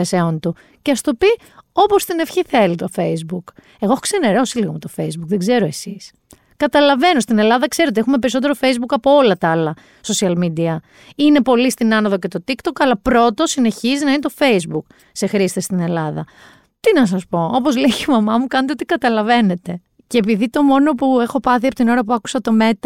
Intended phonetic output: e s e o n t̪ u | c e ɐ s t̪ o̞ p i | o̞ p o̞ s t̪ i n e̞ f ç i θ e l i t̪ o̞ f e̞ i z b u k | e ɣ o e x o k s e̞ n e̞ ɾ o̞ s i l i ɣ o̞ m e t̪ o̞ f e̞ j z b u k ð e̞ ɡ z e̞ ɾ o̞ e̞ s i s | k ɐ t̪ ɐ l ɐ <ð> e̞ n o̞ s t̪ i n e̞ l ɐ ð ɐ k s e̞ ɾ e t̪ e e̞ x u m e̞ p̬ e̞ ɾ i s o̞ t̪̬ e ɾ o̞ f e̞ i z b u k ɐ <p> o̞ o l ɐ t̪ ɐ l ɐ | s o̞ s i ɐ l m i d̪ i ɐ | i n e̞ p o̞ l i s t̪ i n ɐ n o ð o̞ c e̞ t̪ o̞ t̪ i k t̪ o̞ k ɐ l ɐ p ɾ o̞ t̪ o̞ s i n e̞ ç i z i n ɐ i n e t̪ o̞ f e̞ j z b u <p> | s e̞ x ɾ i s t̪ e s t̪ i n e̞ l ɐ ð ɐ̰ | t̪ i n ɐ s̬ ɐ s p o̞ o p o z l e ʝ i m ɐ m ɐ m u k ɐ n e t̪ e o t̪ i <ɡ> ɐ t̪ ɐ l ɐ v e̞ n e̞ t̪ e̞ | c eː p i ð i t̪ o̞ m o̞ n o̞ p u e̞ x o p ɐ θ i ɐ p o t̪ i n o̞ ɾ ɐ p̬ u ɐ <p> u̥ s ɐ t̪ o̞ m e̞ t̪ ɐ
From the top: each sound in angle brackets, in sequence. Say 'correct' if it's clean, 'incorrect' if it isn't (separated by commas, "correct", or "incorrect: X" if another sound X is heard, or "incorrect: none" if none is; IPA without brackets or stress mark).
incorrect: v, correct, incorrect: k, incorrect: k, incorrect: k